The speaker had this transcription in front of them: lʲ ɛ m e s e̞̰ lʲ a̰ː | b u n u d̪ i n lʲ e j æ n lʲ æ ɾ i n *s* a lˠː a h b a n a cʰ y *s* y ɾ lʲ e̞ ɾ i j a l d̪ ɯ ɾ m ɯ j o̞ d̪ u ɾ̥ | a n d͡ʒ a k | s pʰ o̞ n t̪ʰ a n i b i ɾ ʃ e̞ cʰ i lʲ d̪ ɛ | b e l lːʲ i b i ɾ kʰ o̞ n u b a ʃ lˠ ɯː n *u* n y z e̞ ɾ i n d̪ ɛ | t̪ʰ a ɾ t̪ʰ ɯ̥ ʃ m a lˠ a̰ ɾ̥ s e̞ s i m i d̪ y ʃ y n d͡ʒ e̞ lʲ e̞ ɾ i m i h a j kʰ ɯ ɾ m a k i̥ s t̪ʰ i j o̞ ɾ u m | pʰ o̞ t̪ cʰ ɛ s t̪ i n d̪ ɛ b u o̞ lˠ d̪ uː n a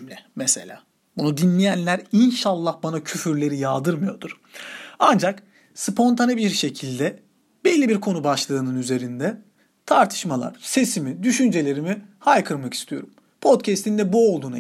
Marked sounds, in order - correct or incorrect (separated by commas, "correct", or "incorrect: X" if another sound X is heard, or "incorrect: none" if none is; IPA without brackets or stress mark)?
incorrect: ʃ, incorrect: f, incorrect: ɯ